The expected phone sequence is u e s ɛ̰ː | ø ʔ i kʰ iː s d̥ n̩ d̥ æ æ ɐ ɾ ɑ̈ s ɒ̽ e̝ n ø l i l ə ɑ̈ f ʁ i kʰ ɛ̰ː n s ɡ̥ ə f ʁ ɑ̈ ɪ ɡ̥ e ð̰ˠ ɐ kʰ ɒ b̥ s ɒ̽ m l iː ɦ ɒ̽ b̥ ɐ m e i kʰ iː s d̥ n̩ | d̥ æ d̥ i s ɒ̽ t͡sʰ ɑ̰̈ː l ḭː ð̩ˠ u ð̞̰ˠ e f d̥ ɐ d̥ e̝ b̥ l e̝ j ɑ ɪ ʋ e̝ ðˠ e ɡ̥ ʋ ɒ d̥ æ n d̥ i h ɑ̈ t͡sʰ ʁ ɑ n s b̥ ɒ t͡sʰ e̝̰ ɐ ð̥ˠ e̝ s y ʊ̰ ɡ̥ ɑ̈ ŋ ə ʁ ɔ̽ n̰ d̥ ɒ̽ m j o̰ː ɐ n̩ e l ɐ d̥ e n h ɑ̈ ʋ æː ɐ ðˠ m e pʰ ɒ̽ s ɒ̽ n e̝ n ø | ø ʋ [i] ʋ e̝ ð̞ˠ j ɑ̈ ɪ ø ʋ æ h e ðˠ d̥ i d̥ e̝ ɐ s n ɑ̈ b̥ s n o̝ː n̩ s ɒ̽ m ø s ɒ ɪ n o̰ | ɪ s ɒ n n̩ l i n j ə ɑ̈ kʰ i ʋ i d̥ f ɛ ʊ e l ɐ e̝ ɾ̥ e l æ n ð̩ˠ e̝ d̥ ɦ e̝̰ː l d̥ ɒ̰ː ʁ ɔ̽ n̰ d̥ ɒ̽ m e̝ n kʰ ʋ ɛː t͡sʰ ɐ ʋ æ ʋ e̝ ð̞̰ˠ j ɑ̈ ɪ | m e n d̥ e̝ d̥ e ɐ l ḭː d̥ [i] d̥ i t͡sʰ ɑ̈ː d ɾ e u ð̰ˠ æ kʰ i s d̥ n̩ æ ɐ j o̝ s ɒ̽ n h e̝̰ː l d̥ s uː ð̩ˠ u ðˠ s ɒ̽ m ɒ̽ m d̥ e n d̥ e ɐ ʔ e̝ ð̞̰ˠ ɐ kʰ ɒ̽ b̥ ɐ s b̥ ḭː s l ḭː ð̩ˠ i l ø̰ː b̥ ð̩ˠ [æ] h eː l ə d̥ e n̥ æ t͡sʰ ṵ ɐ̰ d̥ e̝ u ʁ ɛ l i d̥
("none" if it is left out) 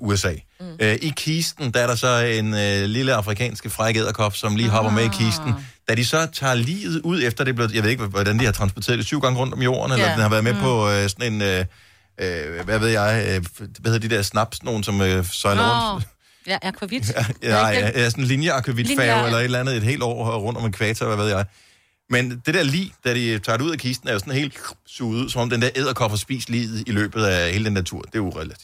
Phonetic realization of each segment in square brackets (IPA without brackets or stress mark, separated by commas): æ, æ, æ